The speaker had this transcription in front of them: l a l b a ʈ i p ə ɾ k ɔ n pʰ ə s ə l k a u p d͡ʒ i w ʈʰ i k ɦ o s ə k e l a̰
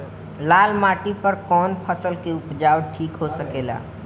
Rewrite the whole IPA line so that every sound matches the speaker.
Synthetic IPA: l a l m a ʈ i p ə ɾ k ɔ n pʰ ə s ə l k e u p d͡ʒ a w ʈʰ i k ɦ o s ə k e l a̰